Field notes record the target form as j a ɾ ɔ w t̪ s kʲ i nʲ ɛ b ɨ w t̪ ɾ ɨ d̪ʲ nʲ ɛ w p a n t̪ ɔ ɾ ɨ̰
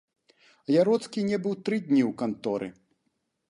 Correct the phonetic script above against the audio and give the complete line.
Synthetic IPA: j a ɾ ɔ t̪ s kʲ i nʲ ɛ b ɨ w t̪ ɾ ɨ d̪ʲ nʲ i w k a n t̪ ɔ ɾ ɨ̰